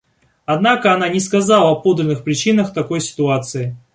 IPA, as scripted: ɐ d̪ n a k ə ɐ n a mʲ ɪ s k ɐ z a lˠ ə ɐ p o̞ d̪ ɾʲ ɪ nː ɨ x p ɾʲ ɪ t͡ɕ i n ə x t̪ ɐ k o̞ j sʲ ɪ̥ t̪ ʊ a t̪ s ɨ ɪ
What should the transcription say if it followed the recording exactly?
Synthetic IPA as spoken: ɐ d̪ n a k ə ɐ n a nʲ ɪ s k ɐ z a lˠ ə ɐ p o̞ d̪ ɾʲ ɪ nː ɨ x p ɾʲ ɪ t͡ɕ i n ə x t̪ ɐ k o̞ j sʲ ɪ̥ t̪ ʊ a t̪ s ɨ ɪ